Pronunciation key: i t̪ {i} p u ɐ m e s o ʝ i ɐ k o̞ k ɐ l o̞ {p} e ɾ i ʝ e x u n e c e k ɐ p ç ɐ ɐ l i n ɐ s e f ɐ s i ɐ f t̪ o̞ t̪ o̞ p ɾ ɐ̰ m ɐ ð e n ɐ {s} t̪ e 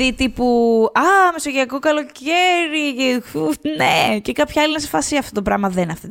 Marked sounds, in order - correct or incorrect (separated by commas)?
correct, incorrect, incorrect